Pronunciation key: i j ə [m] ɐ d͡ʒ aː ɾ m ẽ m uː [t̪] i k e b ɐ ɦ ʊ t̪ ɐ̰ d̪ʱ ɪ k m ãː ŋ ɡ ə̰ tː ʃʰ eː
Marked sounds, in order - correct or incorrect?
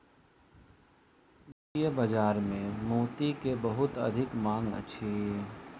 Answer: incorrect, correct

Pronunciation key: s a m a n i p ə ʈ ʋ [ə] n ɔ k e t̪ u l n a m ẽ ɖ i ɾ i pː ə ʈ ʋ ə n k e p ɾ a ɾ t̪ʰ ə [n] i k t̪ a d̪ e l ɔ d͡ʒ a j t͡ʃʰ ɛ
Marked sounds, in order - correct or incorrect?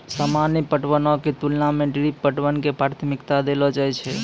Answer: correct, incorrect

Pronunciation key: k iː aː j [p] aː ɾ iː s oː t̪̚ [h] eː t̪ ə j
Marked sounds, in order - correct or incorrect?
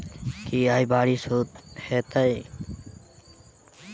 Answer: incorrect, correct

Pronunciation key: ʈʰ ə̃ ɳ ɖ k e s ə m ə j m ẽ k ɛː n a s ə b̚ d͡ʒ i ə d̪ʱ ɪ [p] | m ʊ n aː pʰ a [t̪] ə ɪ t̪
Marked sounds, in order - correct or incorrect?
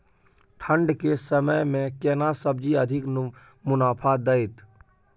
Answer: incorrect, incorrect

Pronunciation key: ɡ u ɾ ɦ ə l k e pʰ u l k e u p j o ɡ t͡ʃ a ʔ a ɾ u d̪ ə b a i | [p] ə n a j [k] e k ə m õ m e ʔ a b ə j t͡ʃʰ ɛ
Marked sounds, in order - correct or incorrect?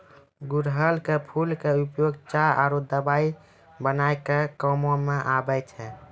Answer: incorrect, correct

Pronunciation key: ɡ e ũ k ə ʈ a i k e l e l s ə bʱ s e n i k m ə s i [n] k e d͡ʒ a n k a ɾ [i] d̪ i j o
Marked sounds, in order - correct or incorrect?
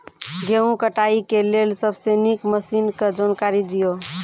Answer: correct, correct

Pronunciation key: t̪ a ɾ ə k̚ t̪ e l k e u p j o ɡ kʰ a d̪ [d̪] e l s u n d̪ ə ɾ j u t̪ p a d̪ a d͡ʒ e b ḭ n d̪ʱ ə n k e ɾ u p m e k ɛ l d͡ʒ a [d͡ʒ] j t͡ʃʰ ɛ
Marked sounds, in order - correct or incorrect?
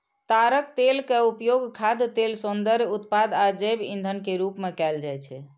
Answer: incorrect, incorrect

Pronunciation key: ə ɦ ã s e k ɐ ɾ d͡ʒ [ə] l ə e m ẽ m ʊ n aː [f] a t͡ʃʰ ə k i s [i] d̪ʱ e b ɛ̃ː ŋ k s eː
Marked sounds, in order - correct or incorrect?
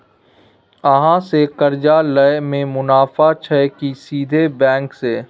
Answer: incorrect, correct, incorrect

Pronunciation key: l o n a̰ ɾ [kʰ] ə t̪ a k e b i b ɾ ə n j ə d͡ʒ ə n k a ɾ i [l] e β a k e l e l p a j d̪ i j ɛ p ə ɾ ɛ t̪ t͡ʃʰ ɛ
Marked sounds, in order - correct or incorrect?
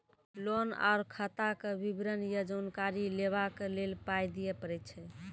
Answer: correct, correct

